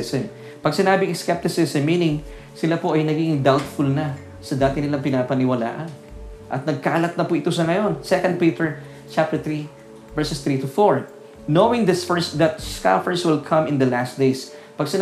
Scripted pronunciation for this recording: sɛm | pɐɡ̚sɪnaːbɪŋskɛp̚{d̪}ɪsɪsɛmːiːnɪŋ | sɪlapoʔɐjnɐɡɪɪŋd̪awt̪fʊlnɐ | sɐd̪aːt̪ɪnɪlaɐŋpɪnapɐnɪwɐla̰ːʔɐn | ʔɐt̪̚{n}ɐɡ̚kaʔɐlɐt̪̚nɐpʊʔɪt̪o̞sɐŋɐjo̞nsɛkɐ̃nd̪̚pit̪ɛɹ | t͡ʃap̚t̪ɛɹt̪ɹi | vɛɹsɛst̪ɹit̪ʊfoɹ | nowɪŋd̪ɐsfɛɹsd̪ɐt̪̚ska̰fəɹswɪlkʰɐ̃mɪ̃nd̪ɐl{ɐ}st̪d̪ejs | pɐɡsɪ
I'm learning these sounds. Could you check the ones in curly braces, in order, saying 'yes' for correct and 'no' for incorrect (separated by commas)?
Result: no, yes, no